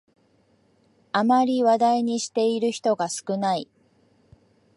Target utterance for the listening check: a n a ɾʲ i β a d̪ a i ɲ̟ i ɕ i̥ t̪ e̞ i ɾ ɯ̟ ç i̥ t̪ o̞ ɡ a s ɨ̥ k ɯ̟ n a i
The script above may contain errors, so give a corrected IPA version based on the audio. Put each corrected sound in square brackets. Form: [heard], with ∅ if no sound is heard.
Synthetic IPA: a [m] a ɾʲ i β a d̪ a i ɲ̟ i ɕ i̥ t̪ e̞ i ɾ ɯ̟ ç i̥ t̪ o̞ ɡ a s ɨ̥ k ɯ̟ n a i